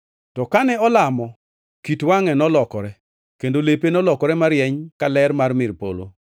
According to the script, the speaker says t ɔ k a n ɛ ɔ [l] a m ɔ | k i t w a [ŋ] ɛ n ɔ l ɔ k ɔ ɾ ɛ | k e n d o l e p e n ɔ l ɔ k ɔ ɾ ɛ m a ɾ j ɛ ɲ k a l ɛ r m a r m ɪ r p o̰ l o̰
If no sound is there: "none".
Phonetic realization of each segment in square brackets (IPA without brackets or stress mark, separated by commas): l, ŋ